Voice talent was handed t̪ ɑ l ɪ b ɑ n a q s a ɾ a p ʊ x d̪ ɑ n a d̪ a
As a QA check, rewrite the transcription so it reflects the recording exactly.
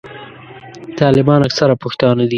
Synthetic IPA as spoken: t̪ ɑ l ɪ b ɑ n a k s a ɾ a p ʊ x t̪ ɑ n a d̪ i

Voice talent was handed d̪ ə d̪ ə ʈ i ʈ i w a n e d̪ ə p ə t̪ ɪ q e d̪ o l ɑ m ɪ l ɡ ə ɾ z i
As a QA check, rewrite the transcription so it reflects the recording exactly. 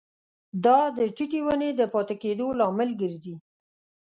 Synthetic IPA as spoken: d̪ ɑ d̪ ə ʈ i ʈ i w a n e d̪ ə p ɑ t̪ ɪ k e d̪ o l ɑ m ɪ l ɡ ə ɾ z i

